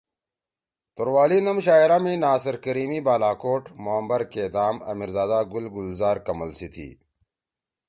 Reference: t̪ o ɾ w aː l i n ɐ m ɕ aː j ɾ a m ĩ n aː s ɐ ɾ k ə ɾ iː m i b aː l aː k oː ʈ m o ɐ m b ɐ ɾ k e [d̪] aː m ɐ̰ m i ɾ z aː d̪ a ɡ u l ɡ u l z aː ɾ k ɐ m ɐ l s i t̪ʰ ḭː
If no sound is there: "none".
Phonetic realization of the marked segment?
d̪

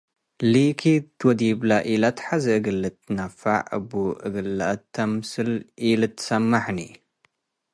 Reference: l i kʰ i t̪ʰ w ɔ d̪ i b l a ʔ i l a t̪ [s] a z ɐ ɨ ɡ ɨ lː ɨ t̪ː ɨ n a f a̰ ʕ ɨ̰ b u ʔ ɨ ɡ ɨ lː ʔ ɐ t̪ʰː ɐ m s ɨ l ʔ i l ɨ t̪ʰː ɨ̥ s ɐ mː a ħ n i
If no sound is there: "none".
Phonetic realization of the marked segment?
ħ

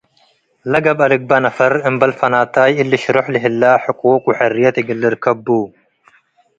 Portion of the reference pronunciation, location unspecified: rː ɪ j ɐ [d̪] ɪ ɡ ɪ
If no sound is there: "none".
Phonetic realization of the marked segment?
t̪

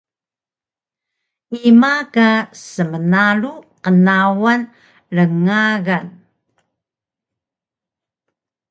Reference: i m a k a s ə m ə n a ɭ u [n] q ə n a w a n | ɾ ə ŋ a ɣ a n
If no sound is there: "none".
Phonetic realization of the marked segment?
none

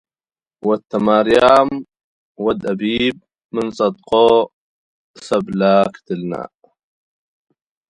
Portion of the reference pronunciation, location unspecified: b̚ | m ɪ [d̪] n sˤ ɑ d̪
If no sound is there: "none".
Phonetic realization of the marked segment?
none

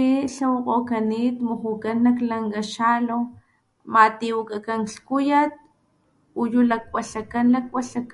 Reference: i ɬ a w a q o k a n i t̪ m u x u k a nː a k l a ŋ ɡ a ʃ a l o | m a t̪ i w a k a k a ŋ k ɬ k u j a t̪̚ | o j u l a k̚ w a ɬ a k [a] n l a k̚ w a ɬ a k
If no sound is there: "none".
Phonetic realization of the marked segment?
a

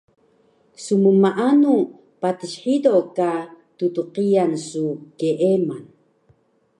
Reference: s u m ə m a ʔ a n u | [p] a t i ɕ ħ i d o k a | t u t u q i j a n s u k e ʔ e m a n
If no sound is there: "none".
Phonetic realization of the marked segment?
p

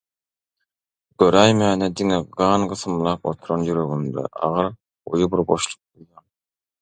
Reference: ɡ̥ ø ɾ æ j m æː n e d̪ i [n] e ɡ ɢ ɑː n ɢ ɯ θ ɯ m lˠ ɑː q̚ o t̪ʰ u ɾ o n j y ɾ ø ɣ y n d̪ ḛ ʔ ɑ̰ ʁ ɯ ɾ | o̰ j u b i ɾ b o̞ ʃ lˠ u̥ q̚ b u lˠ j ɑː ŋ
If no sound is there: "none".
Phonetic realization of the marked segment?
ŋ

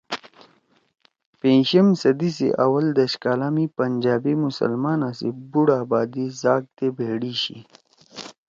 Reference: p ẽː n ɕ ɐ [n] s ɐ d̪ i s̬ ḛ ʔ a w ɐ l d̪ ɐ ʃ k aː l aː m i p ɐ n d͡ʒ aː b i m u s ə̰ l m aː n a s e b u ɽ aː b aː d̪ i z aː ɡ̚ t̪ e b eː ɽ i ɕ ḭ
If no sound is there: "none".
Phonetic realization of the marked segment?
m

